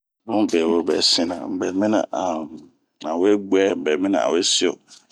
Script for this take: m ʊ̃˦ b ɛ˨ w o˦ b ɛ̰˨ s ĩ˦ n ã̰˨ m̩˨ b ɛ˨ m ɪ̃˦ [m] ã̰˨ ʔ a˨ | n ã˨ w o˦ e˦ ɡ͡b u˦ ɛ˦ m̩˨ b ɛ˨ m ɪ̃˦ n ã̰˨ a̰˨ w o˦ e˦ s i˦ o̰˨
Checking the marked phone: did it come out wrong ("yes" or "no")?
yes